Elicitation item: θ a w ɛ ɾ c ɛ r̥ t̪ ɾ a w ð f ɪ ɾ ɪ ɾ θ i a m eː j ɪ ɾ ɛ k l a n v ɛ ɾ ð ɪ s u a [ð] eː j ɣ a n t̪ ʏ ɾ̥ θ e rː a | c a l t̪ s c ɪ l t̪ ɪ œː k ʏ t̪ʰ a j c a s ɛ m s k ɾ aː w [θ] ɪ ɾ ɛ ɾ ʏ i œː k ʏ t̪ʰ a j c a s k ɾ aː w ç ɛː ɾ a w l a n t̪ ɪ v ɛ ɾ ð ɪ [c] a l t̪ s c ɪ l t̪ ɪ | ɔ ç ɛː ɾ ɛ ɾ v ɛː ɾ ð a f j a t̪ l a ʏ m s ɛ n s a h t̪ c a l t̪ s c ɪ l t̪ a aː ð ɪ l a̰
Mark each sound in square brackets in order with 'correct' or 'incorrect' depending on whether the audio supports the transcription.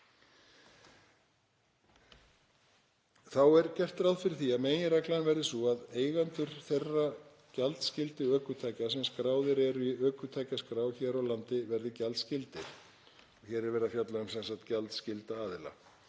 correct, incorrect: ð, correct

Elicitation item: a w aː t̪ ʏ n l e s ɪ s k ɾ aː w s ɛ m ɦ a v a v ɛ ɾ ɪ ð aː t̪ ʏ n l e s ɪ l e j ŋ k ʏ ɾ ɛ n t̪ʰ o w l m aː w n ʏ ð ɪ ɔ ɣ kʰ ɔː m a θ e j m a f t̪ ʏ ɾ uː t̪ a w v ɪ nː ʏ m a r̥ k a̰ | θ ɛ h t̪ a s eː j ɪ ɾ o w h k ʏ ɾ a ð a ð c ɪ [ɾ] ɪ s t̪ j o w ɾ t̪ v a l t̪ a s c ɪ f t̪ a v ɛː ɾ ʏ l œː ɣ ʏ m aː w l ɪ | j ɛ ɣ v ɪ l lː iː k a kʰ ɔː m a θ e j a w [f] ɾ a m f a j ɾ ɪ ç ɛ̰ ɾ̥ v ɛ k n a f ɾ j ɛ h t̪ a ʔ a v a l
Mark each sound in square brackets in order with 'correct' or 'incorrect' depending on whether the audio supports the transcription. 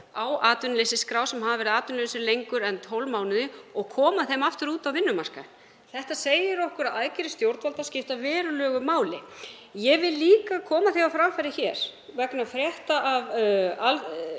correct, correct

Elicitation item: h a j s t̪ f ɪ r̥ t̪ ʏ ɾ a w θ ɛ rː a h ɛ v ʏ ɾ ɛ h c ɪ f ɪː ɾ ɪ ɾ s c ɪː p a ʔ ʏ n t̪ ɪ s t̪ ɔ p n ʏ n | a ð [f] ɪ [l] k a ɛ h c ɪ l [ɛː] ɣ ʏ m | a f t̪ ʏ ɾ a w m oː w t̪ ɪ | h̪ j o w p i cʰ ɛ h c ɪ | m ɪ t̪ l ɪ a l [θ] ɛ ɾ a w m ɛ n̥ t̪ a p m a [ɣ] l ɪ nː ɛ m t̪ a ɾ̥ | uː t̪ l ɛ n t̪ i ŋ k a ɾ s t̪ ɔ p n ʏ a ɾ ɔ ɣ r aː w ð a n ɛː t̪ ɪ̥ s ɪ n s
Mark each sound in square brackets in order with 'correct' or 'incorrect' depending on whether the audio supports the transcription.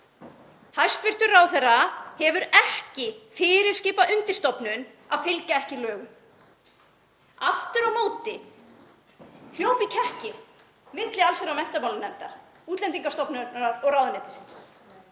correct, correct, incorrect: œː, incorrect: s, incorrect: w

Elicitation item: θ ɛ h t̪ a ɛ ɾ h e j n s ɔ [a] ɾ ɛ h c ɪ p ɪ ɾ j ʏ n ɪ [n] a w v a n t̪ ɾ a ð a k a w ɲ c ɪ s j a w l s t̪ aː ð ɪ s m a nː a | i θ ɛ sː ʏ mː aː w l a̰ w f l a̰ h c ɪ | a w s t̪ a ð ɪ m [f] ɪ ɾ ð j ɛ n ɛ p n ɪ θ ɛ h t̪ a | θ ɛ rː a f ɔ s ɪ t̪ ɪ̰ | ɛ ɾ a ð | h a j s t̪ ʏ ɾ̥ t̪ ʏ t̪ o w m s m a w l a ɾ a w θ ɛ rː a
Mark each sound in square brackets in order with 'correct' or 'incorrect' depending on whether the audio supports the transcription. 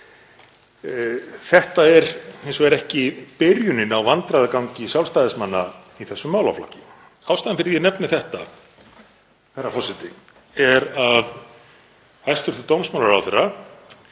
incorrect: ɛ, correct, correct

